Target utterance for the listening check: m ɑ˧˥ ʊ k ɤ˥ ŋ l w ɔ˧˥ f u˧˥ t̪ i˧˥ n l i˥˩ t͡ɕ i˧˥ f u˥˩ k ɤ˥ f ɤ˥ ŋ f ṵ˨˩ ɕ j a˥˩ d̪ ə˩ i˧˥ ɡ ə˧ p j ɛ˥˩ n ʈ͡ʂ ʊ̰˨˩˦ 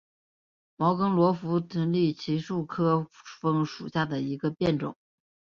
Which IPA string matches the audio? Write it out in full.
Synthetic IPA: m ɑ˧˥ ʊ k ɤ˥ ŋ l w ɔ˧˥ f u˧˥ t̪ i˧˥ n l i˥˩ t͡ɕʰ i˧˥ ʂ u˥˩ kʰ ɤ˥ f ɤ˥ ŋ ʂ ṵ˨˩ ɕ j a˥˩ d̪ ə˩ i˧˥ ɡ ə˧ p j ɛ˥˩ n ʈ͡ʂ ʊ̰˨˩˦